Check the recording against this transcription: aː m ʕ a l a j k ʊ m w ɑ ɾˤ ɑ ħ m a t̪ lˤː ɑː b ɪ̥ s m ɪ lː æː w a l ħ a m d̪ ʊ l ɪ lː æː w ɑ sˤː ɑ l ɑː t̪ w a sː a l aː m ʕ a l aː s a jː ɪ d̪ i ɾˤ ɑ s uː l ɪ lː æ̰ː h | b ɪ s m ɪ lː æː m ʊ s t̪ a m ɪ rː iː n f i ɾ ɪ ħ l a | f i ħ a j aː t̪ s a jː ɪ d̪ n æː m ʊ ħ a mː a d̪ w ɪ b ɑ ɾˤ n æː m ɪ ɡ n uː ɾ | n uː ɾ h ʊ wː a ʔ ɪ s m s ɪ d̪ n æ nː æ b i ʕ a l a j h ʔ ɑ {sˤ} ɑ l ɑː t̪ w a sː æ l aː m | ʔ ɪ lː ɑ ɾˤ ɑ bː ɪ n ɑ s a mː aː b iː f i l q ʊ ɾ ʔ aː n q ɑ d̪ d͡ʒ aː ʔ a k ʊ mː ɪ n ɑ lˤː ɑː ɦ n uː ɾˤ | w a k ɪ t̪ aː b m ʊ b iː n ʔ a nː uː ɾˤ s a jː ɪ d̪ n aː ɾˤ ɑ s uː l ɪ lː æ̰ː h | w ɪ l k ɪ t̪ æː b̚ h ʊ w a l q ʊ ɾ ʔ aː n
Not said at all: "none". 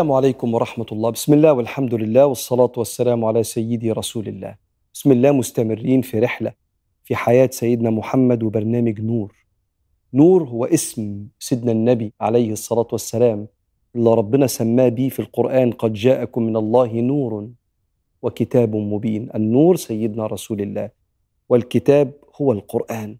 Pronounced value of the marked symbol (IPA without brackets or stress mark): sˤː